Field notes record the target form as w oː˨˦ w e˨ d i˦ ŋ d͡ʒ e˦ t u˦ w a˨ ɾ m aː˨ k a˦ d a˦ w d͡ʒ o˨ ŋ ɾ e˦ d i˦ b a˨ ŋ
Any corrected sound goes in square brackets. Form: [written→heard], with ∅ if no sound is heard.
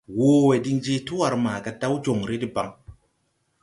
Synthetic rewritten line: w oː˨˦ w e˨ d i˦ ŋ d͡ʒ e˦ t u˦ w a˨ ɾ m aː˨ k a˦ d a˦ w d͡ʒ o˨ ŋ ɾ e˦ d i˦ b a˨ ŋ